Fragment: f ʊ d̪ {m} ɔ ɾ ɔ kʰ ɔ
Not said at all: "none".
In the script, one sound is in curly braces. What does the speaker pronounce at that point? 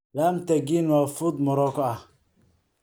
m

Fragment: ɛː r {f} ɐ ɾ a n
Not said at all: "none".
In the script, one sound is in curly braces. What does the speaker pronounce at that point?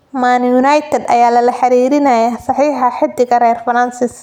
f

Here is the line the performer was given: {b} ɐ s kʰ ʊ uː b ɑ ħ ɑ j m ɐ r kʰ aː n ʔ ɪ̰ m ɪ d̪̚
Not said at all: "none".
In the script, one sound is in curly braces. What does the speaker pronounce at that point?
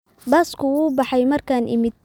b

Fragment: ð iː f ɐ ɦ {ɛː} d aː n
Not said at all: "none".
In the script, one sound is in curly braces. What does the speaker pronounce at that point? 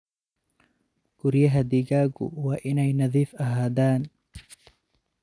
aː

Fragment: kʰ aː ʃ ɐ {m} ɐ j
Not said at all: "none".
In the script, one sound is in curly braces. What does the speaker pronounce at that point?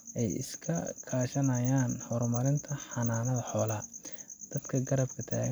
n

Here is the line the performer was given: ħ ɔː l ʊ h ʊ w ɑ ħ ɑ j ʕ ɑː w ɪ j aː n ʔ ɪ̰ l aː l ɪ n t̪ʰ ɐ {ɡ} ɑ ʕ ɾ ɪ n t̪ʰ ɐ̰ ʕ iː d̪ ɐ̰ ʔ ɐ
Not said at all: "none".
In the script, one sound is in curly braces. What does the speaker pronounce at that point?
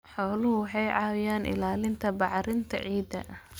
b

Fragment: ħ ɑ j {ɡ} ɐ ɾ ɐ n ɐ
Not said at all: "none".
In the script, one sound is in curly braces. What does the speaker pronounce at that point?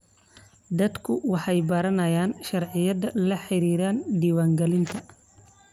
b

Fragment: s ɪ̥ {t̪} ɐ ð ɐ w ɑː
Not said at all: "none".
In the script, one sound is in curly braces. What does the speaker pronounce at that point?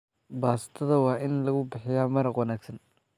t̪ʰ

